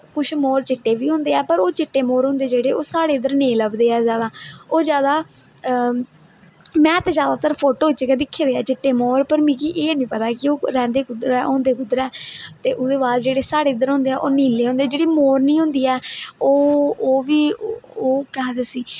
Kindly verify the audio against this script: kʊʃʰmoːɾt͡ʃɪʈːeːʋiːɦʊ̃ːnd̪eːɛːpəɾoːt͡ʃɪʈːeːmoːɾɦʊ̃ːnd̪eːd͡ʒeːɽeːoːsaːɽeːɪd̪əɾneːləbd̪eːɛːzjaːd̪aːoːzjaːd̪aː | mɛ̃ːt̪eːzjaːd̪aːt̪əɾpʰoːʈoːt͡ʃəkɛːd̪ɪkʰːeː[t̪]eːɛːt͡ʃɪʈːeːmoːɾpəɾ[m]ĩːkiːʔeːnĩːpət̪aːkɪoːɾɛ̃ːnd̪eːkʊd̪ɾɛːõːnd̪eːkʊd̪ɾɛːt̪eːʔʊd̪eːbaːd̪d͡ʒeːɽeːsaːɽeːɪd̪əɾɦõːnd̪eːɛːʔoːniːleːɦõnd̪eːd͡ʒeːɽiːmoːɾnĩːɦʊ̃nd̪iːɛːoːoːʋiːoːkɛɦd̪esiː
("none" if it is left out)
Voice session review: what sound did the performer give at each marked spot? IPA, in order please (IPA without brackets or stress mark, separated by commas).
d̪, m